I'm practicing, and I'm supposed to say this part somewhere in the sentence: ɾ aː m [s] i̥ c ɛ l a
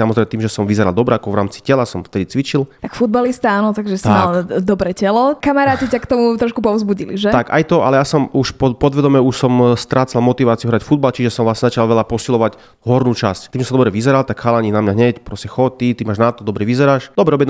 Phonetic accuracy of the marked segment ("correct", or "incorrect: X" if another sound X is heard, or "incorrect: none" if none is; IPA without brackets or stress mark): incorrect: t͡s